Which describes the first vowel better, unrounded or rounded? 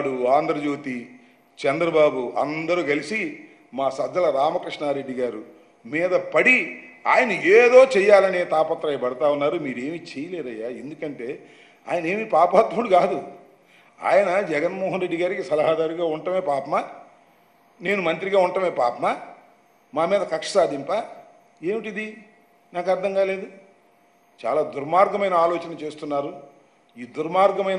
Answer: rounded